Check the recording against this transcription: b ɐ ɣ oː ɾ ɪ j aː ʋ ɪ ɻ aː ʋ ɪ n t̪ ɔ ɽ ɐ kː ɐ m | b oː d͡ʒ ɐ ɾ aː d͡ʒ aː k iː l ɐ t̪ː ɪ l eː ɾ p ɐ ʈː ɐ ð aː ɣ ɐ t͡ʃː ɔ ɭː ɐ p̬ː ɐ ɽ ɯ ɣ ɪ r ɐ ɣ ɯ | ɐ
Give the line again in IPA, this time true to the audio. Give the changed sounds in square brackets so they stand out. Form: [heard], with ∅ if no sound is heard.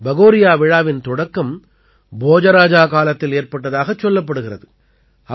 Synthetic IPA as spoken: b ɐ ɣ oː ɾ ɪ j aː ʋ ɪ ɻ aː ʋ ɪ n t̪ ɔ ɽ ɐ kː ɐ m | b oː d͡ʒ ɐ ɾ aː d͡ʒ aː k [aː] l ɐ t̪ː ɪ l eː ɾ p ɐ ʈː ɐ ð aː ɣ ɐ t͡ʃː ɔ [lː] ɐ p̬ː ɐ ɽ ɯ ɣ ɪ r ɐ [ð] ɯ | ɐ